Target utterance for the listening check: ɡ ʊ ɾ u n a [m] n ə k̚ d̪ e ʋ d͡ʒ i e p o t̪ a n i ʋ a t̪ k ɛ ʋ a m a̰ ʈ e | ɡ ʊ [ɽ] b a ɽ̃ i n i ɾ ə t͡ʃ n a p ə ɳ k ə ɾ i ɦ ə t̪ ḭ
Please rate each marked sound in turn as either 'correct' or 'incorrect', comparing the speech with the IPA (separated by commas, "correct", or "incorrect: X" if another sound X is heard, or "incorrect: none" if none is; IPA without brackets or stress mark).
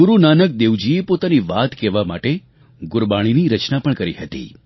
incorrect: none, incorrect: ɾ